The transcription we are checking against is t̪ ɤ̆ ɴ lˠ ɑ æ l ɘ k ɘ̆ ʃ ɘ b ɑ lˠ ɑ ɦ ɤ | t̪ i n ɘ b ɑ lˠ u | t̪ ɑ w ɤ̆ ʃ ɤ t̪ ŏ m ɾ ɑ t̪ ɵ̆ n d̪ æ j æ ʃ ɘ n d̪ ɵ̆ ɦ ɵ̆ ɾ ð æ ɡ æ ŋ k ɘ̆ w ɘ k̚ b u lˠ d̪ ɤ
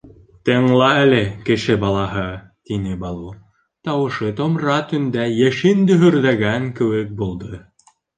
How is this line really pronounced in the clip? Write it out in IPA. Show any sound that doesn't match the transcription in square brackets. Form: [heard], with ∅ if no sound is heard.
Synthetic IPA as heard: t̪ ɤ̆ ɴ lˠ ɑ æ l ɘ k ɘ̆ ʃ ɘ b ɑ lˠ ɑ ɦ ɤ | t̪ i n ɘ b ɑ lˠ u | t̪ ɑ w ɤ̆ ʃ ɤ t̪ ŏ m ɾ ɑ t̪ ɵ̆ n d̪ æ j æ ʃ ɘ n d̪ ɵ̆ ɦ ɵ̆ ɾ ð æ ɡ æ ŋ k ɘ̆ w ɘ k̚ b u lˠ d̪ ɤ